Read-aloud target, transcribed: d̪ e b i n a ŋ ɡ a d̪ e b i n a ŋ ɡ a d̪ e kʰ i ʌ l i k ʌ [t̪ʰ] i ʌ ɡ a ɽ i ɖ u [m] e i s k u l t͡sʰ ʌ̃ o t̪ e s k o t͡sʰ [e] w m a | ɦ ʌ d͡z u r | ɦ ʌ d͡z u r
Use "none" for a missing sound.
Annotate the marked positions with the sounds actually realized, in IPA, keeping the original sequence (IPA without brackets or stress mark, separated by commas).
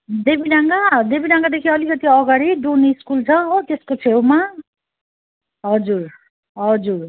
t̪, n, e